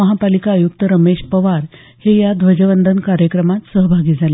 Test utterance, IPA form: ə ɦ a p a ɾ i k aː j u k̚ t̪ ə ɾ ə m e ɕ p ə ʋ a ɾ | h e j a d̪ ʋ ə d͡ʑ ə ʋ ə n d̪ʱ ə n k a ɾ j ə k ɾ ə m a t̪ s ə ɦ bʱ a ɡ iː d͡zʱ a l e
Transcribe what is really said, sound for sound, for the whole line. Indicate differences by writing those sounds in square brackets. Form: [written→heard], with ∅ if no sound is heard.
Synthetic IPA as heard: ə ɦ a p a [ɾ→l] i k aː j u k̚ t̪ ə ɾ ə m e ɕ p ə ʋ a ɾ | h e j a d̪ ʋ ə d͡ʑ ə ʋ ə n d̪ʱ ə n k a ɾ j ə k ɾ ə m a t̪ s ə ɦ bʱ a ɡ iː d͡zʱ a l e

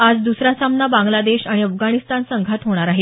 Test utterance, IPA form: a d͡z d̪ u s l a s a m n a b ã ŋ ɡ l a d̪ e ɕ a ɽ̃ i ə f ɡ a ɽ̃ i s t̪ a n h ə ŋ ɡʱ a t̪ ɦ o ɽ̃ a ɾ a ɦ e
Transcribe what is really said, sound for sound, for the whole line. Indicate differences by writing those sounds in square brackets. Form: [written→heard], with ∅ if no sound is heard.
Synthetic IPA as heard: a d͡z d̪ u s [l→ɾ] a s a m n a b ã ŋ ɡ l a d̪ e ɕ a ɽ̃ i ə f ɡ a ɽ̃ i s t̪ a n [h→s] ə ŋ ɡʱ a t̪ ɦ o ɽ̃ a ɾ a ɦ e

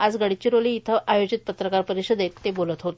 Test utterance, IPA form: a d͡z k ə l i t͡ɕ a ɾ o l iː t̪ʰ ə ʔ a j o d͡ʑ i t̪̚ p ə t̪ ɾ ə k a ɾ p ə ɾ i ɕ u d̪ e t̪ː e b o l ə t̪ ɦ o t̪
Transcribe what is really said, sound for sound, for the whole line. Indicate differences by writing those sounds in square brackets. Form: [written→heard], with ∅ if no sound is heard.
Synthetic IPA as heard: a d͡z [k→ɡ] ə [l→ɽ] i t͡ɕ [a→i] ɾ o l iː t̪ʰ ə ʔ a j o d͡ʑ i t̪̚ p ə t̪ ɾ ə k a ɾ p ə ɾ i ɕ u d̪ e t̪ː e b o l ə t̪ ɦ o t̪

